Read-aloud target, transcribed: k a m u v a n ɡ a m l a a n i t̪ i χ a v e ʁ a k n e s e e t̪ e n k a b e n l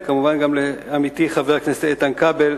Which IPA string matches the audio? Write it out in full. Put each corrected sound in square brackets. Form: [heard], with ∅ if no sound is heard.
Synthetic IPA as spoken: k a m u v a n ɡ a m l [e] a [m] i t̪ i χ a v e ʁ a k n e s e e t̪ [a] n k a b e [∅] l